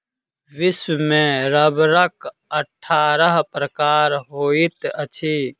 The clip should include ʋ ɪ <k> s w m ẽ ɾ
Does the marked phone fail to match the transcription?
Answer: yes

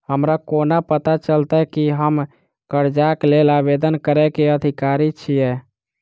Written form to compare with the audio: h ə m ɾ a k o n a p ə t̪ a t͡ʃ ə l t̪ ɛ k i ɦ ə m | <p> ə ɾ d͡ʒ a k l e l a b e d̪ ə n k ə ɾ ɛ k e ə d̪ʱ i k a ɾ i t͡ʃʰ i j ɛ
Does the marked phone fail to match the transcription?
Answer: yes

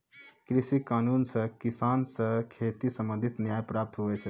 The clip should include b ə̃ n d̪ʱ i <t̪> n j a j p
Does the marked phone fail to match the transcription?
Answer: no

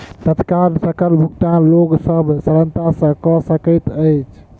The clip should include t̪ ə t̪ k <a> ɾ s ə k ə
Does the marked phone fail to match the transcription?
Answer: no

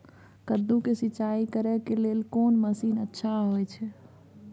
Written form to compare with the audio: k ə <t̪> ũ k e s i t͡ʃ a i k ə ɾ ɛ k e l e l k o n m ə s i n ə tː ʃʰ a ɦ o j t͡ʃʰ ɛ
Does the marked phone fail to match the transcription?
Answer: yes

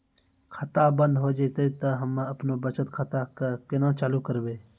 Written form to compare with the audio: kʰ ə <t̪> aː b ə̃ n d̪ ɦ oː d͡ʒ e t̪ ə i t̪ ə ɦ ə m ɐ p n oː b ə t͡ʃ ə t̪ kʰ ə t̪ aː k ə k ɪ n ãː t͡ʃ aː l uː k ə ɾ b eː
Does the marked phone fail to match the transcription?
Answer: no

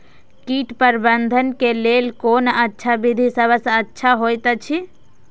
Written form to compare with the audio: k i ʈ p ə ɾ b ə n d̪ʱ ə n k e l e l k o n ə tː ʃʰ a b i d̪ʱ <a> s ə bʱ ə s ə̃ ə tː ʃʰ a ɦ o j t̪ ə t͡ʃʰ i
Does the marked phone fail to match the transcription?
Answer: yes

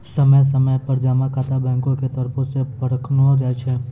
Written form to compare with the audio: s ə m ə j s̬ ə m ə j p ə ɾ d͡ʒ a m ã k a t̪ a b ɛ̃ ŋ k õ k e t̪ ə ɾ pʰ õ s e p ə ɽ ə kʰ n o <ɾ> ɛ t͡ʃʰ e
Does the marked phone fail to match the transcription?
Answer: no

